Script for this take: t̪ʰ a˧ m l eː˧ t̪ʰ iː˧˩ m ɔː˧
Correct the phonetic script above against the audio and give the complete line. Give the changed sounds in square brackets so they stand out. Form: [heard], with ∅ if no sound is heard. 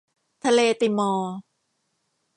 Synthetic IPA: t̪ʰ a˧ [∅] l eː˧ [t̪] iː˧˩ m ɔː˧